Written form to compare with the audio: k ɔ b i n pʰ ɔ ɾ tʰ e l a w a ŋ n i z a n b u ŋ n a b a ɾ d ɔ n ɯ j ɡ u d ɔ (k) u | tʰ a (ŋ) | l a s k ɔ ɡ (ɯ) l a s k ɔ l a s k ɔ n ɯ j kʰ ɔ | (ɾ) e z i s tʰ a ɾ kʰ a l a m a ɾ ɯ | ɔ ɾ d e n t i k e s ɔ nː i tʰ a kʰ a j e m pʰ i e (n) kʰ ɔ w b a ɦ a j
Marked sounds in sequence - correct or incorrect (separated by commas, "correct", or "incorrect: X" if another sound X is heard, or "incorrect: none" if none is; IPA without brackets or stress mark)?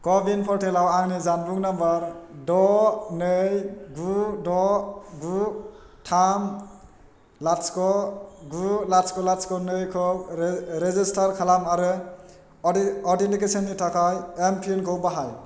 incorrect: ɡ, incorrect: m, incorrect: u, correct, correct